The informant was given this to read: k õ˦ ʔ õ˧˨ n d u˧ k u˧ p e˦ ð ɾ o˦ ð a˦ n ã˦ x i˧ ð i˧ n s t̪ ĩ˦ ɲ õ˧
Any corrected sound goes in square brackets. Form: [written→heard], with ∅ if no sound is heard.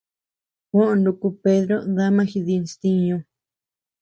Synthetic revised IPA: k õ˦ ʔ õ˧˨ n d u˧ k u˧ p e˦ ð ɾ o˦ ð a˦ [n→m] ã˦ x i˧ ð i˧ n s t̪ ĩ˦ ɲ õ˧